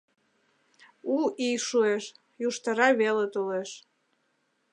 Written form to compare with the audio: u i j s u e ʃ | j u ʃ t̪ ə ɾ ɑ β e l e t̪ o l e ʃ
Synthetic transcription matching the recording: u i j ʃ u e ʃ | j u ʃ t̪ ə ɾ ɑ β e l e t̪ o l e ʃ